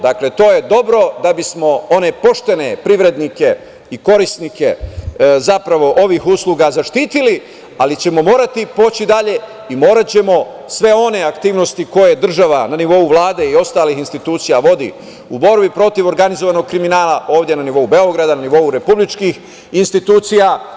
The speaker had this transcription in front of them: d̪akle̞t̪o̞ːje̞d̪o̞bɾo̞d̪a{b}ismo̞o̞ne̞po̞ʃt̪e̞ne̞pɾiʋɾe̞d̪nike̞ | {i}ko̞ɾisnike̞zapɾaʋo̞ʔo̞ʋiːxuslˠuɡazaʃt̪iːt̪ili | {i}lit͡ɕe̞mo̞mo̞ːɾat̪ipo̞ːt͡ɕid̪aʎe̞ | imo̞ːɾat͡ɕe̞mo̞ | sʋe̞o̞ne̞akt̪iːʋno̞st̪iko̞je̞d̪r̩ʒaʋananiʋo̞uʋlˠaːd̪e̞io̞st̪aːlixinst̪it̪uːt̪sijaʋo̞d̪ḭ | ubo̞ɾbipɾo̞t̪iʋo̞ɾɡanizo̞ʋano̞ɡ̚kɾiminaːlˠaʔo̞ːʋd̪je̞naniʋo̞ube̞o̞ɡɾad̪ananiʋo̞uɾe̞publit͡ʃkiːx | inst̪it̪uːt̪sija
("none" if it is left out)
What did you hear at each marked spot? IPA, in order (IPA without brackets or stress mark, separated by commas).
b, i, a